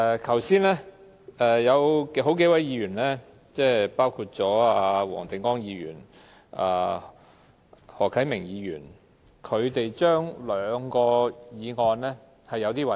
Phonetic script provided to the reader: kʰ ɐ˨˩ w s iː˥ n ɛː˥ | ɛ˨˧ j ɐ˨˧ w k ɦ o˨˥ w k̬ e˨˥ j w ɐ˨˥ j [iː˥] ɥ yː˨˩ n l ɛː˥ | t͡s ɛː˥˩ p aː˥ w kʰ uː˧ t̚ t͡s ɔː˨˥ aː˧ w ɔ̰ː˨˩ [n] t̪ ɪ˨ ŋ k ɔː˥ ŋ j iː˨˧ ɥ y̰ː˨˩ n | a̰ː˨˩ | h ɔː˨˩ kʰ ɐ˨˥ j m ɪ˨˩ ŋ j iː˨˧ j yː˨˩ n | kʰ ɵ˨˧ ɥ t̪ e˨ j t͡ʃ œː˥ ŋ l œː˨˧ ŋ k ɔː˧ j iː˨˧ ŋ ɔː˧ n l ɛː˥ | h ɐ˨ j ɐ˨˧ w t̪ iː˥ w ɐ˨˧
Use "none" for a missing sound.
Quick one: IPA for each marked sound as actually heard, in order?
iː˨˧, ŋ

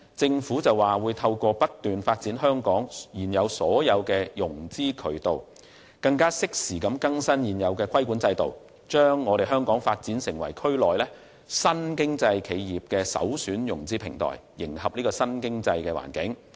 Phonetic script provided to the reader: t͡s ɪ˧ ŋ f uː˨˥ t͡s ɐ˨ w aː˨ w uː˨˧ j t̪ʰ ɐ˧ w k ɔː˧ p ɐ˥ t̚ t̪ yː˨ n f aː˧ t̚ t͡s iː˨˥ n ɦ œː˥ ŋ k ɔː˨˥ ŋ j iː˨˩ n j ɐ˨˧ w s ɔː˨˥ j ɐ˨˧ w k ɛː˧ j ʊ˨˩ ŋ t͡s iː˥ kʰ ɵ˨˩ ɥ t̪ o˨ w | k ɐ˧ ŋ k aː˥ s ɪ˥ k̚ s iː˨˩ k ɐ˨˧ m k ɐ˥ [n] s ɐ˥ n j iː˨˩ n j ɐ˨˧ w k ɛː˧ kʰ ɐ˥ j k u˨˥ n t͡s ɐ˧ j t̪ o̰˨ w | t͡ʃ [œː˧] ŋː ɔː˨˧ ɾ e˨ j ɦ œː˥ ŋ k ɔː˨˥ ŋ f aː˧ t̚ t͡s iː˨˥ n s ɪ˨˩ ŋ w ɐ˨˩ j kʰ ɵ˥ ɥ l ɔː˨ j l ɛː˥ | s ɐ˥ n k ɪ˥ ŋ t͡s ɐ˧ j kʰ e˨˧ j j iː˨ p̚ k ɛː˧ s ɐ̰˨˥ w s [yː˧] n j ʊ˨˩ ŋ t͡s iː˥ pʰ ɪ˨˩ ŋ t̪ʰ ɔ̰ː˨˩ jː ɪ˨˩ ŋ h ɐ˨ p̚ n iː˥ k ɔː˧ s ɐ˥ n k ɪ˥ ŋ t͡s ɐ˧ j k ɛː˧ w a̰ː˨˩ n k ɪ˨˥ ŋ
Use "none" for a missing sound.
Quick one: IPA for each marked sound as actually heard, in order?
ŋ, œː˥, yː˨˥

